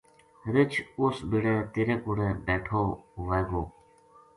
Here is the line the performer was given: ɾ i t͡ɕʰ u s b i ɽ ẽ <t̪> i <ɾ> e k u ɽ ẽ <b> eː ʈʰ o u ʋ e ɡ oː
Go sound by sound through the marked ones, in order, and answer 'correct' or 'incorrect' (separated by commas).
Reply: correct, correct, correct